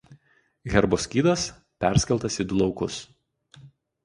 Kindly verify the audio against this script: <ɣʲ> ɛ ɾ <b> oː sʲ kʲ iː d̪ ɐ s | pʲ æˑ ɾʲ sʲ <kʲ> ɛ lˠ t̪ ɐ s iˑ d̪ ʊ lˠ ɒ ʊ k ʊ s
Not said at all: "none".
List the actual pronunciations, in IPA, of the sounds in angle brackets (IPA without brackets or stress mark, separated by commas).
ɣʲ, b, kʲ